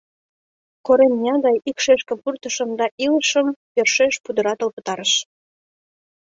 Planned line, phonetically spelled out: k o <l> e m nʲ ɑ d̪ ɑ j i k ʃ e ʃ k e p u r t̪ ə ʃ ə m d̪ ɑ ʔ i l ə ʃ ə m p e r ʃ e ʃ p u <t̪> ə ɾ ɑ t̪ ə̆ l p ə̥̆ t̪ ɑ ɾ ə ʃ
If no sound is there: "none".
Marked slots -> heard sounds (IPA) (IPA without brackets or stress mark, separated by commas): ɾ, d̪